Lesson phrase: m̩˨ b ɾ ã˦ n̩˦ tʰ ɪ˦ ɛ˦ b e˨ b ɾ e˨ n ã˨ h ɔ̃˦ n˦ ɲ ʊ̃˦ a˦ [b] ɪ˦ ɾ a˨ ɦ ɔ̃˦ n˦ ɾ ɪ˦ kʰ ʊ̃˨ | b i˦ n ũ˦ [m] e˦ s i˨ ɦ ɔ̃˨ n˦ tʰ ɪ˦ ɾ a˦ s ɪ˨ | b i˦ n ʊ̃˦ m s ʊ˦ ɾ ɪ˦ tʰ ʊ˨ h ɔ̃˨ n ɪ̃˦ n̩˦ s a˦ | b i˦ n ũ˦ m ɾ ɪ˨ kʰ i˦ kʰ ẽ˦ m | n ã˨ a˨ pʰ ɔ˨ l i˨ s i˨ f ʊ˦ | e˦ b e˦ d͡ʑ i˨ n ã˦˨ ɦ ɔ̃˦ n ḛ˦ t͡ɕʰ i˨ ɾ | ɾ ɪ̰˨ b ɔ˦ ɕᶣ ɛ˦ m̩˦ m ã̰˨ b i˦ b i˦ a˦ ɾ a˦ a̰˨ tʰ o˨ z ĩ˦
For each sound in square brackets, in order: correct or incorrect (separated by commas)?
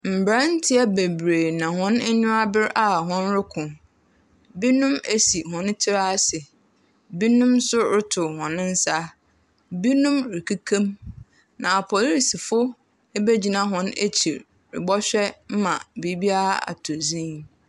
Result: correct, correct